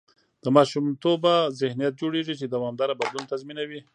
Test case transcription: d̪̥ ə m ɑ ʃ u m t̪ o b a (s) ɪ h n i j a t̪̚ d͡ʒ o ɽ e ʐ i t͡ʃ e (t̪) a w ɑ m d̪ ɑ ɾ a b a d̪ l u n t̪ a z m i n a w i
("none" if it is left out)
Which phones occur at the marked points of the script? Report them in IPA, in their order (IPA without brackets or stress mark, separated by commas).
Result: z, d̪